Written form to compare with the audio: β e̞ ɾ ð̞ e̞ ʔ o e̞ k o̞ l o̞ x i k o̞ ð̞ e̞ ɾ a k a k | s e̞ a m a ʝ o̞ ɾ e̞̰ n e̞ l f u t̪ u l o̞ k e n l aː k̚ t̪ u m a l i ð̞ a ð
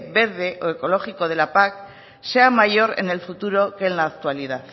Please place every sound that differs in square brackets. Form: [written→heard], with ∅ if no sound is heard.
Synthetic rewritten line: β e̞ ɾ ð̞ e̞ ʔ o e̞ k o̞ l o̞ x i k o̞ ð̞ e̞ [ɾ→l] a [k→p] a k | s e̞ a m a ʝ o̞ ɾ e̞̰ n e̞ l f u t̪ u [l→ɾ] o̞ k e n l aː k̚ t̪ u [m→∅] a l i ð̞ a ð